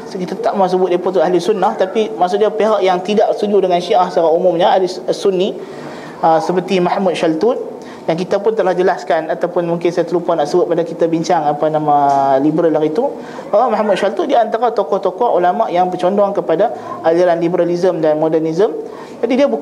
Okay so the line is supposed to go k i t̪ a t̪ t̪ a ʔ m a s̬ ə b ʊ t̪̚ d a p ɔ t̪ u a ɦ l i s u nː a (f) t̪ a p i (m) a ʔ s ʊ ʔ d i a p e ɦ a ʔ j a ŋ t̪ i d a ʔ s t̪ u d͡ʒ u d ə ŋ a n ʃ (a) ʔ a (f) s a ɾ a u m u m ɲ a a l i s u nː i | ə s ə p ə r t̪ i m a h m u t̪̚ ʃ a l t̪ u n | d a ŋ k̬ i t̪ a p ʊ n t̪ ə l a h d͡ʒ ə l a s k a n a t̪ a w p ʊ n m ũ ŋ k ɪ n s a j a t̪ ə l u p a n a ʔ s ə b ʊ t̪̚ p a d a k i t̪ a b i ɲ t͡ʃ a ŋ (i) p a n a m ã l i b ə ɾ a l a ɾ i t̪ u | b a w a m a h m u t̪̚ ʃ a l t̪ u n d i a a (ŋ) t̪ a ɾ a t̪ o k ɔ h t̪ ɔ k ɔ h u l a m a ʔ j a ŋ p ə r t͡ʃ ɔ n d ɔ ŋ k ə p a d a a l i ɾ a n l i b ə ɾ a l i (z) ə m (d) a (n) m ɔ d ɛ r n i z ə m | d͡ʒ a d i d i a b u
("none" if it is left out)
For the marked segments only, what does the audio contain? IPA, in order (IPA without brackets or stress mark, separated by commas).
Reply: h, m, i, h, a, n, z, d, n